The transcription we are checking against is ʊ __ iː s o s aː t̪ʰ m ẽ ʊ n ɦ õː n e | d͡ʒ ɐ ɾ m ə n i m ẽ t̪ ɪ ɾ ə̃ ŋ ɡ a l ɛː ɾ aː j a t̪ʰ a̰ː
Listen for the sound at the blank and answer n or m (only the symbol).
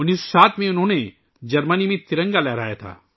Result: n